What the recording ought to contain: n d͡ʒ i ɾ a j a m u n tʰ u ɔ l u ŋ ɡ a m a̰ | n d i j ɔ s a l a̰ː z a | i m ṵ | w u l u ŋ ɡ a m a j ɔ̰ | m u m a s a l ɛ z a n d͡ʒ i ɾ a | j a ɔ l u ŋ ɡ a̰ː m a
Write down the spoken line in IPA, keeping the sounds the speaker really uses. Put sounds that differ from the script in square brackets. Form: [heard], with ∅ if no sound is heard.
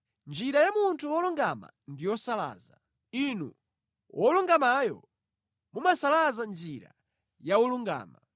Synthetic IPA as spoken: n d͡ʒ i ɾ a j a m u n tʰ u ɔ l u ŋ ɡ a m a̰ | n d i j ɔ s a l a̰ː z a | i [n] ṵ | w [ɔ] l u ŋ ɡ a m a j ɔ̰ | m u m a s a l [a] z a n d͡ʒ i ɾ a | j a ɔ l u ŋ ɡ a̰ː m a